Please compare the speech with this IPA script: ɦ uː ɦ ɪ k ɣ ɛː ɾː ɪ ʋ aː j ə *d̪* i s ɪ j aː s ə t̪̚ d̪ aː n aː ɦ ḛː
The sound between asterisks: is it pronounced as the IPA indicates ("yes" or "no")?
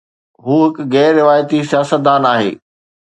no